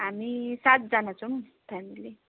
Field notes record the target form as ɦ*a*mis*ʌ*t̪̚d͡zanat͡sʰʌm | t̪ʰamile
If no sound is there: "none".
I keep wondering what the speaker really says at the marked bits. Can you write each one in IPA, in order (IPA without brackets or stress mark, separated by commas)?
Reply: a, a